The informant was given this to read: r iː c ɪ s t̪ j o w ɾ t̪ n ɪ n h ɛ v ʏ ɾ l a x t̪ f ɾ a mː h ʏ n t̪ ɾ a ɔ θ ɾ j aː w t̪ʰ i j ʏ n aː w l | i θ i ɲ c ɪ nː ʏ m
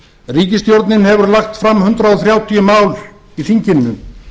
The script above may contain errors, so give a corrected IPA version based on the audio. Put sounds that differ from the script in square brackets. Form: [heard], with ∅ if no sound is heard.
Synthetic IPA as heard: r iː c ɪ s t̪ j o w ɾ t̪ n ɪ n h ɛ v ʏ ɾ l a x t̪ f ɾ a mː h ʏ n t̪ ɾ a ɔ θ ɾ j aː w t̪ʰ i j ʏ [m] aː w l | i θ i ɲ c ɪ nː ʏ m